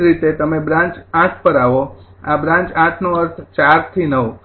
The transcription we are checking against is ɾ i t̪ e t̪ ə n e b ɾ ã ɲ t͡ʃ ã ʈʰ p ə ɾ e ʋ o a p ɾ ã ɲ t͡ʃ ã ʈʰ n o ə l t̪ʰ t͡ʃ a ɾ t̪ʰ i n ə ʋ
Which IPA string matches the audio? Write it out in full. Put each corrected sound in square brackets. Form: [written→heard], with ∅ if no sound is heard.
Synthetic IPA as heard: ɾ i t̪ e t̪ ə [n→m] e b ɾ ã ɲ t͡ʃ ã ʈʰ p ə ɾ [e→a] ʋ o a [p→b] ɾ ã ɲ t͡ʃ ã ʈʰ n o ə [l→ɾ] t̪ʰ t͡ʃ a ɾ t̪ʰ i n ə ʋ

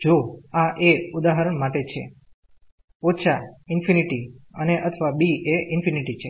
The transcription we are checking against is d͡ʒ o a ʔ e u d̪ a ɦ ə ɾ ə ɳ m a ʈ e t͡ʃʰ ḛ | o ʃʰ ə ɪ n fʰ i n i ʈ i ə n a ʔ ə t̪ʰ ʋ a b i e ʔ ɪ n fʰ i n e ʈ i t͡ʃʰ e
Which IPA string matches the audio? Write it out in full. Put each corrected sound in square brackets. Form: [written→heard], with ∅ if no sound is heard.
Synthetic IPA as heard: d͡ʒ o a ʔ e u d̪ a ɦ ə ɾ ə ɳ m a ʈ e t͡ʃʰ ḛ | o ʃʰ [ə→a] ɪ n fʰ i n i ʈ i ə n [a→e] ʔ ə t̪ʰ ʋ a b i e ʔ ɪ n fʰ i n [e→i] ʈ i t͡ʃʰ e

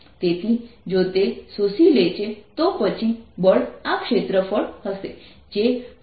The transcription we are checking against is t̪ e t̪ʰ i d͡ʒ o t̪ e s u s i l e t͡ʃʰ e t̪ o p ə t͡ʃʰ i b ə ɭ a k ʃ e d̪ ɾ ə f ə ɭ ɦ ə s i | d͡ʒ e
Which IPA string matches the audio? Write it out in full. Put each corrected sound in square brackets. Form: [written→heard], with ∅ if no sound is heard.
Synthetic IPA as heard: t̪ e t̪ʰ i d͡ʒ o t̪ e s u s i l e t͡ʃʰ e t̪ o p ə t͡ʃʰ i b ə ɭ a k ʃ e [d̪→t̪] ɾ ə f ə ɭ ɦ ə s [i→e] | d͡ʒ e

